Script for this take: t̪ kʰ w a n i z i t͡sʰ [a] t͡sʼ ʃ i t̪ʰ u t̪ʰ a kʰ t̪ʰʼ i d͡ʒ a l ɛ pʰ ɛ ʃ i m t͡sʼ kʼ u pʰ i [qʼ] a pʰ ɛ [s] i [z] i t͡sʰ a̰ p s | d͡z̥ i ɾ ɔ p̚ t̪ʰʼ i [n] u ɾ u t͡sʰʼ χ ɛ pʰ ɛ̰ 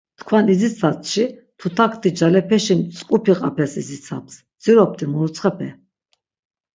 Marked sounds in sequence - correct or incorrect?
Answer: correct, correct, correct, correct, incorrect: m

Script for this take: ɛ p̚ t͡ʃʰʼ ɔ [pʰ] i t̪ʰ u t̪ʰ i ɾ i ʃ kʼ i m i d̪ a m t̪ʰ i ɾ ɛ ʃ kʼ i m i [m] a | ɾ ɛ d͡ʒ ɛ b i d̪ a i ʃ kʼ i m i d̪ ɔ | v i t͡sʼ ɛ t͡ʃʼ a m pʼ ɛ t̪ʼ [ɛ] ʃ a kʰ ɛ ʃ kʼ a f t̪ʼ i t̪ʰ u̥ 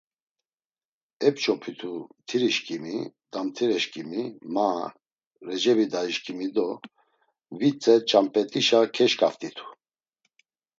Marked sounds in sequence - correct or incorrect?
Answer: correct, correct, incorrect: i

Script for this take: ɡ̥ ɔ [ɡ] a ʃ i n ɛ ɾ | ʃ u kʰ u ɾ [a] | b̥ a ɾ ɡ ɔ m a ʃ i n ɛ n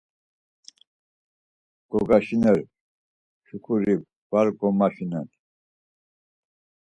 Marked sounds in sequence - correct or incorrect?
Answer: correct, incorrect: i

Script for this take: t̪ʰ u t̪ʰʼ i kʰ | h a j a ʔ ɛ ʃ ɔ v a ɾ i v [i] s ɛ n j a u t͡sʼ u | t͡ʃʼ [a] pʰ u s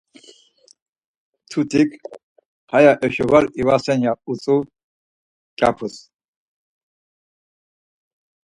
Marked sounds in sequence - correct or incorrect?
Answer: incorrect: a, correct

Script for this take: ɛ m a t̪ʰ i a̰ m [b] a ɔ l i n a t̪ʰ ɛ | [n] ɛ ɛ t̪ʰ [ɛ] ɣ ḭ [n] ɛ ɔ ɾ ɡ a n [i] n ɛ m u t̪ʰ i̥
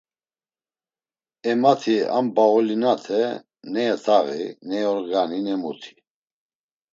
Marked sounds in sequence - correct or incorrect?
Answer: correct, correct, incorrect: a, correct, correct

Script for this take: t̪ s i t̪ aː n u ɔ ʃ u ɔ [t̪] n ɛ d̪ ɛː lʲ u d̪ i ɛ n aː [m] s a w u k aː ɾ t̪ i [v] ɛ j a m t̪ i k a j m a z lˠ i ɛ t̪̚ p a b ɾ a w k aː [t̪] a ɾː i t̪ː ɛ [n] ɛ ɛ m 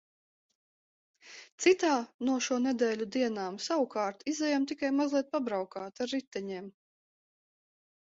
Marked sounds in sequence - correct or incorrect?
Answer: incorrect: none, correct, incorrect: z, correct, incorrect: ɲ

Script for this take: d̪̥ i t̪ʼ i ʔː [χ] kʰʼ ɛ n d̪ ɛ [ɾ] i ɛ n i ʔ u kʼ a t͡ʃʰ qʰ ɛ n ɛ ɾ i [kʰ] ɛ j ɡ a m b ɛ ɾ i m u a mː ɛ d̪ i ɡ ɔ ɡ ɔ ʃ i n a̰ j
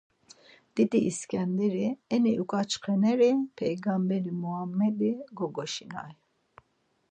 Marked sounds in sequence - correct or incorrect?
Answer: incorrect: s, correct, incorrect: pʰ

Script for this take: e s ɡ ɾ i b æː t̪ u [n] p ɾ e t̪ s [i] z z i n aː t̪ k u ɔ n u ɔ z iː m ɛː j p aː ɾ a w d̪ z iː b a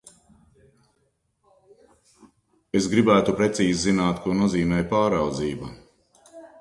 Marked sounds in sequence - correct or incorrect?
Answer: incorrect: none, incorrect: iː

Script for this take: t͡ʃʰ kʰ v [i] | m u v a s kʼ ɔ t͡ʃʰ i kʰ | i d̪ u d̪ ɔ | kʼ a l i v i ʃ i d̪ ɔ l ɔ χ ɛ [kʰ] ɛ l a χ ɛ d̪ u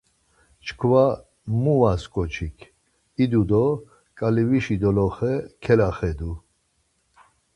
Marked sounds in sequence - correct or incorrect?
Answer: incorrect: a, correct

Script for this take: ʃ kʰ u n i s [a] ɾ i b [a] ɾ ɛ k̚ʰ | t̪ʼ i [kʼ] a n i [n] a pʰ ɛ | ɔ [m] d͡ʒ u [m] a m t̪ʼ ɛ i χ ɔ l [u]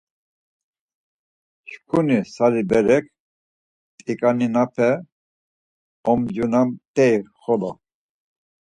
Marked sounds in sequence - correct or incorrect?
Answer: correct, incorrect: ɛ, correct, correct, correct, incorrect: n, incorrect: ɔ

